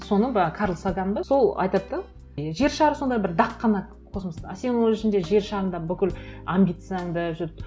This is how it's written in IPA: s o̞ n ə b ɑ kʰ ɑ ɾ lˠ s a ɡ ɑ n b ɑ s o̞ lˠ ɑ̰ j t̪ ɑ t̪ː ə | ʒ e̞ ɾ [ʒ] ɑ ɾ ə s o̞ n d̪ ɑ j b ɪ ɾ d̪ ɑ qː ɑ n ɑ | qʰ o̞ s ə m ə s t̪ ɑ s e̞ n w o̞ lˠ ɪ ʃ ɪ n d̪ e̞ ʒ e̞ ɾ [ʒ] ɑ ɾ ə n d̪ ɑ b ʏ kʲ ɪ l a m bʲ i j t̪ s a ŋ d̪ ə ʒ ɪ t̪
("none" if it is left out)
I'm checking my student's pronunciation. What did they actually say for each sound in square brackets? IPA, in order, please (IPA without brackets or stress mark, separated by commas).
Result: ʃ, ʃ